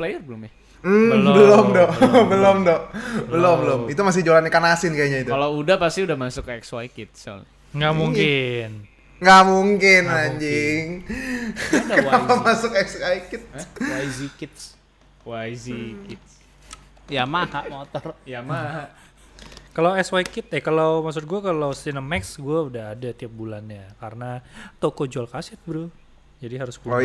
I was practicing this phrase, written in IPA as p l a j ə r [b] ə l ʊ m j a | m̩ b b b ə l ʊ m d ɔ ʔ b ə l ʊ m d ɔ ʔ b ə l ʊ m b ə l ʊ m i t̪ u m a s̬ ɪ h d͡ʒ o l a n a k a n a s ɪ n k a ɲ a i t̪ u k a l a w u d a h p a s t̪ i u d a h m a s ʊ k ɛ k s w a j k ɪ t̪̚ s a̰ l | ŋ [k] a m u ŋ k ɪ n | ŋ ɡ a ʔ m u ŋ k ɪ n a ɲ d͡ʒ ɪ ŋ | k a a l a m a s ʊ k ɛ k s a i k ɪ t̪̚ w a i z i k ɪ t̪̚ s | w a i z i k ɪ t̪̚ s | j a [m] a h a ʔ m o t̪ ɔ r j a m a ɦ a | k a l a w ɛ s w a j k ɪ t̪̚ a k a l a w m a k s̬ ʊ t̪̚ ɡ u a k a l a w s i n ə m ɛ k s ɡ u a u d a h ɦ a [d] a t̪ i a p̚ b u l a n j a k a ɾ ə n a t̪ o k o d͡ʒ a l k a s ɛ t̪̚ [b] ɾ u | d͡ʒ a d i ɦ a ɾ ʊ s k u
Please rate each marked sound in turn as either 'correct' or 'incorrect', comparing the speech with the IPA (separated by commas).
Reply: correct, incorrect, correct, correct, correct